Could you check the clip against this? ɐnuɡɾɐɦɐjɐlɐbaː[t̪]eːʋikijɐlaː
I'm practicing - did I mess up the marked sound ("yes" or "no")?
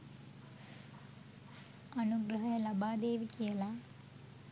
yes